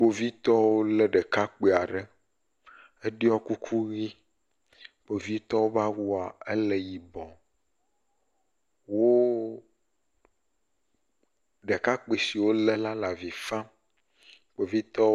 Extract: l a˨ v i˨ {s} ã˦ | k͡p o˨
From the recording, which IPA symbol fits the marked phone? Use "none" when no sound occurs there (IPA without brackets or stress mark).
f